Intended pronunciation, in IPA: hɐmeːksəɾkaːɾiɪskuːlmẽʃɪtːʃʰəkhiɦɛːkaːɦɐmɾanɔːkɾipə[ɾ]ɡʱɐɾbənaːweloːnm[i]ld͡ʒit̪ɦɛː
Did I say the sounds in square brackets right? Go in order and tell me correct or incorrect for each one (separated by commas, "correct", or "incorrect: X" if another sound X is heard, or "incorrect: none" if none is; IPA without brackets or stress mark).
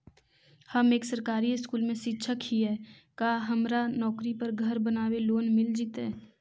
correct, incorrect: ɪ